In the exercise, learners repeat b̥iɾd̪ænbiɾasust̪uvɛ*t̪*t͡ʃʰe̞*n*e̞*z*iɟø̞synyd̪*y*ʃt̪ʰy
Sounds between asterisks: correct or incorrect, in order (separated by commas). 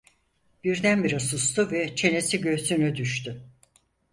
incorrect, correct, incorrect, correct